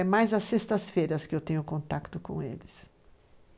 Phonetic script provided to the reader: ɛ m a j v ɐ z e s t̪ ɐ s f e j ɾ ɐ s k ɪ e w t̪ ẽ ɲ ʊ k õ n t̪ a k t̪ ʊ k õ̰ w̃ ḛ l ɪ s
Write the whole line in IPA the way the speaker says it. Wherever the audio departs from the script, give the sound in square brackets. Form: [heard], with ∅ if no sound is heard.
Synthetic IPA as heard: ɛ m a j [z] ɐ [s] e s t̪ ɐ s f e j ɾ ɐ s k ɪ e w t̪ ẽ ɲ ʊ k õ n t̪ a k t̪ ʊ k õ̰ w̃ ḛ l ɪ s